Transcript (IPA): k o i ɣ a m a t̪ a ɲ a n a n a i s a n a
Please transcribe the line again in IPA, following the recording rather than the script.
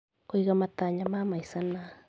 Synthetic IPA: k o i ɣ a m a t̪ a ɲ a m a m a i s a n a